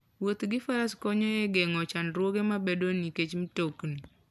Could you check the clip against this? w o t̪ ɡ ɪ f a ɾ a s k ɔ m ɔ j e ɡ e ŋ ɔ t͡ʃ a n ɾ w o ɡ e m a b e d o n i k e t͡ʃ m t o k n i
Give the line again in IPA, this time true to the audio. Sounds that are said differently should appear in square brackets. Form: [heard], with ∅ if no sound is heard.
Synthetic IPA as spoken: w o t̪ ɡ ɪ f a ɾ a s k ɔ [ɲ] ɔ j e ɡ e ŋ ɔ t͡ʃ a n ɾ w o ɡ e m a b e d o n i k e t͡ʃ m t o k n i